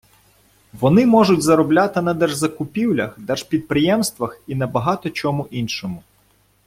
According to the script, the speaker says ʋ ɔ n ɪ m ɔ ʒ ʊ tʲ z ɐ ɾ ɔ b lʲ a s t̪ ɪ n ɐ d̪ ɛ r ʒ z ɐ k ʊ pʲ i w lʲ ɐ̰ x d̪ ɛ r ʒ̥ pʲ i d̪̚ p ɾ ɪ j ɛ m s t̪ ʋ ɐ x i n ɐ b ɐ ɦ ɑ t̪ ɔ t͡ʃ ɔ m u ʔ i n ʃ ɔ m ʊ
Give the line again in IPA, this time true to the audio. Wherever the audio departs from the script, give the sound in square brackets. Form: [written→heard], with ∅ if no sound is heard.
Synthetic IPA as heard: ʋ ɔ n ɪ m ɔ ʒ ʊ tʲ z ɐ ɾ ɔ b lʲ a [s→∅] t̪ ɪ n ɐ d̪ ɛ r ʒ z ɐ k ʊ pʲ i w lʲ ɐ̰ x d̪ ɛ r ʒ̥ pʲ i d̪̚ p ɾ ɪ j ɛ m s t̪ ʋ ɐ x i n ɐ b ɐ ɦ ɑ t̪ ɔ t͡ʃ ɔ m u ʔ i n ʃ ɔ m ʊ

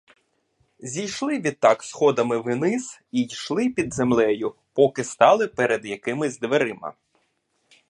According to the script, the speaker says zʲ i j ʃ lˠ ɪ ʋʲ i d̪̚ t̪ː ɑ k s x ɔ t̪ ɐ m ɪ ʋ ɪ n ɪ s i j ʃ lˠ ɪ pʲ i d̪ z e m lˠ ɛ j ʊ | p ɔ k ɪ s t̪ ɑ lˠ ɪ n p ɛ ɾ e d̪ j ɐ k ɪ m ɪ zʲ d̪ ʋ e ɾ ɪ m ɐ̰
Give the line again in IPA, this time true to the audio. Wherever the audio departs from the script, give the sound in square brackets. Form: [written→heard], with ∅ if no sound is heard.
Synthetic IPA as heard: zʲ i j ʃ lˠ ɪ ʋʲ i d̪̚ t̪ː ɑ k s x ɔ [t̪→d̪] ɐ m ɪ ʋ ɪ n ɪ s i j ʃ lˠ ɪ pʲ i d̪ z e m lˠ ɛ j ʊ | p ɔ k ɪ s t̪ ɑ lˠ ɪ [n→∅] p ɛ ɾ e d̪ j ɐ k ɪ m ɪ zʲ d̪ ʋ e ɾ ɪ m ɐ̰

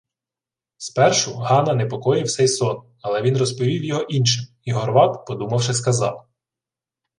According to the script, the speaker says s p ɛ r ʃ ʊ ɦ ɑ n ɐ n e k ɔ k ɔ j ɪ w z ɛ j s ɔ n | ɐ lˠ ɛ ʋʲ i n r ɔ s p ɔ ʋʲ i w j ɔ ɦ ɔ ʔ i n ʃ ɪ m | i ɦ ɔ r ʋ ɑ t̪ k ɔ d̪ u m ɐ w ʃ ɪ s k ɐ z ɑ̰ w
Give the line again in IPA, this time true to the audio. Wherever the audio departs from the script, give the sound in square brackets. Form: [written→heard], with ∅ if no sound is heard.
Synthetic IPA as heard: s p ɛ r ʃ ʊ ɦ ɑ n ɐ n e [k→p] ɔ k ɔ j ɪ w [z→s] ɛ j s ɔ n | ɐ lˠ ɛ ʋʲ i n r ɔ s p ɔ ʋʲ i w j ɔ ɦ ɔ ʔ i n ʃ ɪ m | i ɦ ɔ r ʋ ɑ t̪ [k→p] ɔ d̪ u m ɐ w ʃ ɪ s k ɐ z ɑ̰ w

